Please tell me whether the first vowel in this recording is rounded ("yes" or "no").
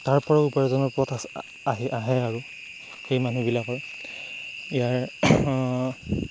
no